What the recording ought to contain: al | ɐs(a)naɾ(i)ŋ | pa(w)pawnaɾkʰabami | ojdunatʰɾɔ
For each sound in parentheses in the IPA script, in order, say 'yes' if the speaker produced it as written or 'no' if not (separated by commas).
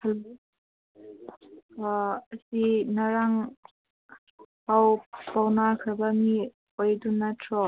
no, no, yes